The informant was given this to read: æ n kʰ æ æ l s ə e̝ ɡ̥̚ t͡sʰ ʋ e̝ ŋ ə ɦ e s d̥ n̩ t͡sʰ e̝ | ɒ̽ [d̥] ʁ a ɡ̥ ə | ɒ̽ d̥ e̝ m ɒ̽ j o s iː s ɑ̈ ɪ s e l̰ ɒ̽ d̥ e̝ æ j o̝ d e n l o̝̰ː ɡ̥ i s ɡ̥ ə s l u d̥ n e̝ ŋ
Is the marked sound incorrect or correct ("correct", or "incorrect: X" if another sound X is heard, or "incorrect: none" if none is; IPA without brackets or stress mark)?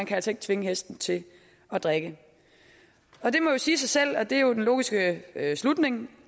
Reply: correct